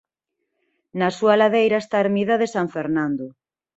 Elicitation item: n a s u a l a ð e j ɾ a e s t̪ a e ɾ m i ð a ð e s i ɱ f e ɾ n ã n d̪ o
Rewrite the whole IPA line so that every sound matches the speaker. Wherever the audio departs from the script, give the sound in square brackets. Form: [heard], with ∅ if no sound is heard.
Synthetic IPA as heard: n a s u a l a ð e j ɾ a e s t̪ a e ɾ m i ð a ð e s [a] ɱ f e ɾ n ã n d̪ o